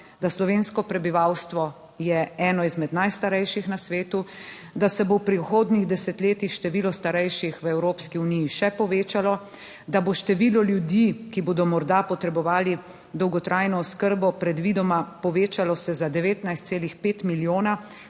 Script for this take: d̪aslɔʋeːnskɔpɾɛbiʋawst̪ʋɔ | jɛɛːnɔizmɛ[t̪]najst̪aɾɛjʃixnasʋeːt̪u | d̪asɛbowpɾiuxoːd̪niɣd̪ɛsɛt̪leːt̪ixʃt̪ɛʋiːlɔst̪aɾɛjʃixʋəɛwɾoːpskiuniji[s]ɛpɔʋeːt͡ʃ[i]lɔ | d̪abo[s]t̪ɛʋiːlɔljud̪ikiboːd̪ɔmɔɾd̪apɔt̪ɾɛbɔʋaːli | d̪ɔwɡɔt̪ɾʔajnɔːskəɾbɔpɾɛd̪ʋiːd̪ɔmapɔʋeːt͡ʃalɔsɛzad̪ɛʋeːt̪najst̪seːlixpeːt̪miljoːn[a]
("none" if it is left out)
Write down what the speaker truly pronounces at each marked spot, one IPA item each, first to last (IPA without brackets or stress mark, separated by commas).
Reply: d̪, ʃ, a, ʃ, a